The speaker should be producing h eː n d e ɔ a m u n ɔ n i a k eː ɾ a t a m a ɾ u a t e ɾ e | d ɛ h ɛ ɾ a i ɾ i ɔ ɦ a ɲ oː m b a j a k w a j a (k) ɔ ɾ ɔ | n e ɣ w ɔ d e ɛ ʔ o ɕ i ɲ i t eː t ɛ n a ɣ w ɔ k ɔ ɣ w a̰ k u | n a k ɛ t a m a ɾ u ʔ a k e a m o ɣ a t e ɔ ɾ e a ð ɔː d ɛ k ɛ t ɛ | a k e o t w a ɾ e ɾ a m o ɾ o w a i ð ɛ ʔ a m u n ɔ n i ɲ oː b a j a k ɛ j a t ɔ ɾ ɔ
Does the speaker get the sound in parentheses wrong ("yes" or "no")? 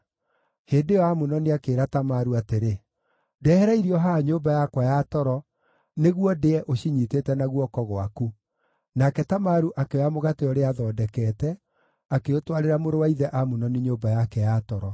yes